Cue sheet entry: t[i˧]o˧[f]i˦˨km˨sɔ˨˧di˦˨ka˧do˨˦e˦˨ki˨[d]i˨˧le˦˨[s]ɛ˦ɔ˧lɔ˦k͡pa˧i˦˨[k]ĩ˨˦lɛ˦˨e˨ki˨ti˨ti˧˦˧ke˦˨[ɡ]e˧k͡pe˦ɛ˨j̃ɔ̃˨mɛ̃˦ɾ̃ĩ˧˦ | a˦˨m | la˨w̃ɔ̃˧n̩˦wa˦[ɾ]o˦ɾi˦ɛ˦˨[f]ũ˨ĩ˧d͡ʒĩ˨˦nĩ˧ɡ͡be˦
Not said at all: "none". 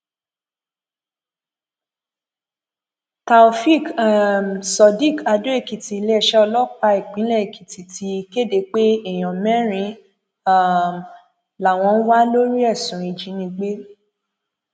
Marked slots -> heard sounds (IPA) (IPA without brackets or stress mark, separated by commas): a˧, f, t, ʃ, k͡p, d, l, s